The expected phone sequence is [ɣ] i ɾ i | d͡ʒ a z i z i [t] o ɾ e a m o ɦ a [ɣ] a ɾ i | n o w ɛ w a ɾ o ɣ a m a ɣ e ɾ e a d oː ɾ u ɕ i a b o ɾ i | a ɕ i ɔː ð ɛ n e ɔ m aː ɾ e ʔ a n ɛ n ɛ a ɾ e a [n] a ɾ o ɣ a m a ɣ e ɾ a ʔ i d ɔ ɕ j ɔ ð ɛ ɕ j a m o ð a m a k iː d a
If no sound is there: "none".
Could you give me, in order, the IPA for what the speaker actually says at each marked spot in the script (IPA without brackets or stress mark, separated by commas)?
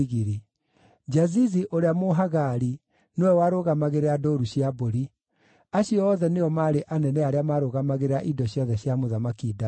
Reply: ɣ, ʔ, ɣ, m